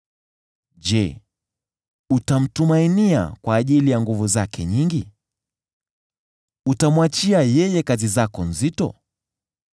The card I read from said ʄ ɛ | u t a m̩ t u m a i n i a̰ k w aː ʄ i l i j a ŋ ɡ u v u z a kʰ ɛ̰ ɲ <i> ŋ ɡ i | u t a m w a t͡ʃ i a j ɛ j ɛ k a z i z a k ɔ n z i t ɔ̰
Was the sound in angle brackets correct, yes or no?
yes